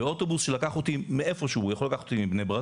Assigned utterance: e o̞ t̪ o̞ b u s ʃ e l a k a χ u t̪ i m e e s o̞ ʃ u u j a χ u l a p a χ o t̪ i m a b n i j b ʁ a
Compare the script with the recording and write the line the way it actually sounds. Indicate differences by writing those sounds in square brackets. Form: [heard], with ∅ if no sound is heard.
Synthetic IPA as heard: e o̞ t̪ o̞ b u s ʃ e l a k a χ [o] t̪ i m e e [f] o̞ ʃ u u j a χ [o] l a [k] a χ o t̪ i m [i] b n [e] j b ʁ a